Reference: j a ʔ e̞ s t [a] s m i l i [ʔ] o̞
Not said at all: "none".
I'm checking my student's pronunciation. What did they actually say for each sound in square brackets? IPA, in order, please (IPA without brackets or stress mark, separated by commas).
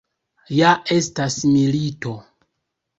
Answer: a, t